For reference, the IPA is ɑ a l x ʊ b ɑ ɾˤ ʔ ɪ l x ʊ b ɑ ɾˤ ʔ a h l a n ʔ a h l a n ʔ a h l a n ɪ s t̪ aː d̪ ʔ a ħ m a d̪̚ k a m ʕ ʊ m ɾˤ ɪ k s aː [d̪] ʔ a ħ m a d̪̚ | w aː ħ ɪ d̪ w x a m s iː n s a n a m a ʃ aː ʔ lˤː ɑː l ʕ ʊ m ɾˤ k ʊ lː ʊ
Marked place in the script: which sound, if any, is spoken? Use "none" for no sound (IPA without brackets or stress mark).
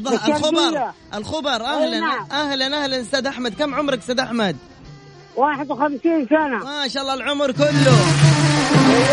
d̪